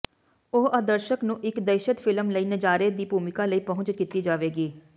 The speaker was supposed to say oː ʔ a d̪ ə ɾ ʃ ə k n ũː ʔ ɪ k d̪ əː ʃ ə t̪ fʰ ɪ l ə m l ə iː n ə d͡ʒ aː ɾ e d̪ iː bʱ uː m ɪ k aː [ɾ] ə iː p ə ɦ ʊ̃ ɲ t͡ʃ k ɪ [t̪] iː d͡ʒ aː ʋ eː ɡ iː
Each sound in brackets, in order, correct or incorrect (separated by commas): incorrect, correct